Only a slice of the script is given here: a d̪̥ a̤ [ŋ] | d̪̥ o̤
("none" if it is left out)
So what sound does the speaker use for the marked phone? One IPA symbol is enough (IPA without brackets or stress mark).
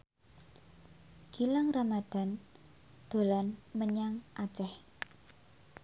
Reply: n